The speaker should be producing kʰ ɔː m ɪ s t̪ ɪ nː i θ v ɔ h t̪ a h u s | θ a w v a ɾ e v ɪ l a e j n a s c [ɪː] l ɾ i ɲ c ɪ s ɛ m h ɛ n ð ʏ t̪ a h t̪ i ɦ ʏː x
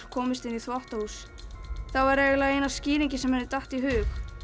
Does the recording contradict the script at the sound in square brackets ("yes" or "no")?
yes